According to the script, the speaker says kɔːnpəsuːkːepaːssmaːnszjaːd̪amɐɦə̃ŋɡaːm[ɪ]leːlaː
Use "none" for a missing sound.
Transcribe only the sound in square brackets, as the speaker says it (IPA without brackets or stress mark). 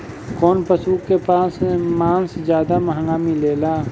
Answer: i